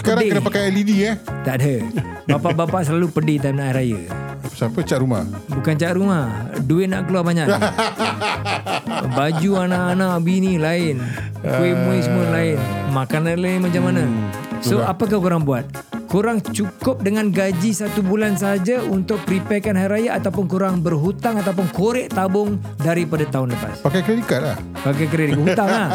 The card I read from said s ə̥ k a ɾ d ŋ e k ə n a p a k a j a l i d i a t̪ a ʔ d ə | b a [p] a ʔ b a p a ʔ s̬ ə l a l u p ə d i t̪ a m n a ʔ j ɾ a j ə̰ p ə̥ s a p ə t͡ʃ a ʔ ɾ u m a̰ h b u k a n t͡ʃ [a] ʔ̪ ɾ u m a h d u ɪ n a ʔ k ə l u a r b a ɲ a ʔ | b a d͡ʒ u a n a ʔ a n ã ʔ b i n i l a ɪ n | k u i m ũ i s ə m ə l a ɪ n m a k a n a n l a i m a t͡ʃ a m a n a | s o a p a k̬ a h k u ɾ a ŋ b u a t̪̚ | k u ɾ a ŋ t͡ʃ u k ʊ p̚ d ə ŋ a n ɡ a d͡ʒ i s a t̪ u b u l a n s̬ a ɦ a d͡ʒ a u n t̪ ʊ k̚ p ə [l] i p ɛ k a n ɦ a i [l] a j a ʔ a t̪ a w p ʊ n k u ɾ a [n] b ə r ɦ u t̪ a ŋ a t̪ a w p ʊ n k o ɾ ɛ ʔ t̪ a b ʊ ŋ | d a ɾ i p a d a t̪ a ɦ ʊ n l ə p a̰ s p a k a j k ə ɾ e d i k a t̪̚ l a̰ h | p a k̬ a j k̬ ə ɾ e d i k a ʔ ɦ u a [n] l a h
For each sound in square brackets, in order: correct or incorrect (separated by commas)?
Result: correct, correct, incorrect, incorrect, incorrect, incorrect